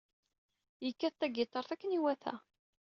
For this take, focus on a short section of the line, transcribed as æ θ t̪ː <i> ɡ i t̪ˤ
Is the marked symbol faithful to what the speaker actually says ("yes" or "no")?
no